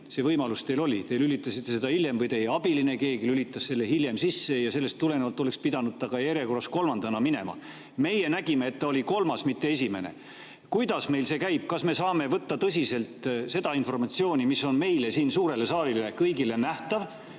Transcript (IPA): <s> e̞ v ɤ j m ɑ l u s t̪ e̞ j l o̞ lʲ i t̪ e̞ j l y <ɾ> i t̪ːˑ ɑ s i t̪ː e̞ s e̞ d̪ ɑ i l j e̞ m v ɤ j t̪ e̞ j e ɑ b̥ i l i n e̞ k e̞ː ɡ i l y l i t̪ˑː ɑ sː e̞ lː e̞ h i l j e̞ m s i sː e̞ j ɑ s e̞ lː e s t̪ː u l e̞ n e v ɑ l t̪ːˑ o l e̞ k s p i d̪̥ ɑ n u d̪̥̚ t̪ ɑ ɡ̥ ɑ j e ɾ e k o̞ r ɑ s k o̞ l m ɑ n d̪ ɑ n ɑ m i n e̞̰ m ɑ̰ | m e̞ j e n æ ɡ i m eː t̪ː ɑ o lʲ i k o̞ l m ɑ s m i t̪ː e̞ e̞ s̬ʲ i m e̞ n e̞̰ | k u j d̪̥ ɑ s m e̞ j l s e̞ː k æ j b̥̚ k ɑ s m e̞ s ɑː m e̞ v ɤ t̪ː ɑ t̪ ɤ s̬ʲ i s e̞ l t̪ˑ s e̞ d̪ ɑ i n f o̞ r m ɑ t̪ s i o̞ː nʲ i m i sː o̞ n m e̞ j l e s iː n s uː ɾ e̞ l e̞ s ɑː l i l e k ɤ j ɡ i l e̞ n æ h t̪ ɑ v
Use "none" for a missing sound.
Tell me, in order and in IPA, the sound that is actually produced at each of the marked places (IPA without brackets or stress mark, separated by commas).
s, l